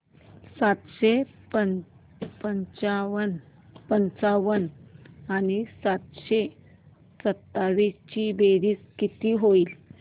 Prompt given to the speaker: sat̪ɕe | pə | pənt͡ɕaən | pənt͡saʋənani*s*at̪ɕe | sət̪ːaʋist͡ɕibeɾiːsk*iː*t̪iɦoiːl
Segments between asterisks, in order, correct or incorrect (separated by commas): correct, incorrect